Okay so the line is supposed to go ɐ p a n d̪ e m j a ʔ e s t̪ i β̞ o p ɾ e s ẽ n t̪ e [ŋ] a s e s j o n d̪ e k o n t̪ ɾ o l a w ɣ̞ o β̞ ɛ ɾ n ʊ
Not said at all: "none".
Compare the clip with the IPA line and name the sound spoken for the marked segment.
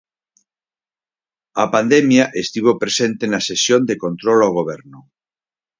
n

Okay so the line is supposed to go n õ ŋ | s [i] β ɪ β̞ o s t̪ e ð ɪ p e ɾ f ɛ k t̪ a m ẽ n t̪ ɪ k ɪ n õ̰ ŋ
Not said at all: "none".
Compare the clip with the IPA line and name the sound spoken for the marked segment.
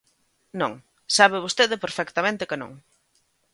a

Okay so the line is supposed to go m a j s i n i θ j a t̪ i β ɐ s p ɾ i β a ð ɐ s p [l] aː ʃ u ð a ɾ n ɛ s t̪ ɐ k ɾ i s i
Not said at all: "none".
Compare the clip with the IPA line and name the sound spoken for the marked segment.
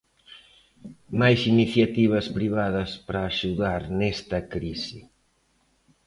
ɾ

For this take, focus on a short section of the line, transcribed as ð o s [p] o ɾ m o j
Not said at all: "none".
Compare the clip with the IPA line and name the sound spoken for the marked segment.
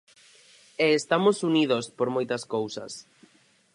p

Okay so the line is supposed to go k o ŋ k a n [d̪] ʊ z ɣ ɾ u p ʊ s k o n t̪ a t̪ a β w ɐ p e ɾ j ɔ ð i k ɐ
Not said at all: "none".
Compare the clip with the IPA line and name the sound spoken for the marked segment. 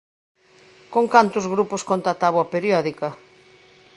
t̪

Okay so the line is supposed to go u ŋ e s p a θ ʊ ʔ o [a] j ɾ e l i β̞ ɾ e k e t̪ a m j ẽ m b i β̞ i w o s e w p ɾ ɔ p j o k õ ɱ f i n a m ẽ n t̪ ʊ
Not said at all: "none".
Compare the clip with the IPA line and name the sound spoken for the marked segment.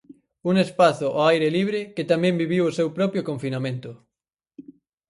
a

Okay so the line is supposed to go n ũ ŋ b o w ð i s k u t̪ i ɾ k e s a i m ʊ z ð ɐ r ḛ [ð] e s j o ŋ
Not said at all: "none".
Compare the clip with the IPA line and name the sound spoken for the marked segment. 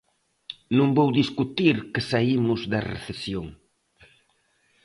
θ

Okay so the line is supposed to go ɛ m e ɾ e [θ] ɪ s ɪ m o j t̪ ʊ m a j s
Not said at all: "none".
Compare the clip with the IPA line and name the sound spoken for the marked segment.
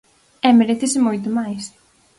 θ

